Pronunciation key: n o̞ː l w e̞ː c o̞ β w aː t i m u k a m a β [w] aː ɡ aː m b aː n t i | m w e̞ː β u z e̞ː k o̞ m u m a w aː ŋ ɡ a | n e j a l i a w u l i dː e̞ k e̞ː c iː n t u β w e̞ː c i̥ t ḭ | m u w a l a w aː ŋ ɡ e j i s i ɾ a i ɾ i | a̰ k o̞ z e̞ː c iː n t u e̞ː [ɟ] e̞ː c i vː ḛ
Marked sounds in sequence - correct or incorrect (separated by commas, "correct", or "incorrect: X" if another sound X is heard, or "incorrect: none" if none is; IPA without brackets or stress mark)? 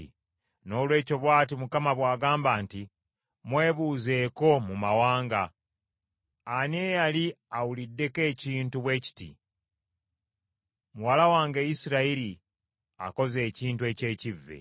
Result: correct, incorrect: c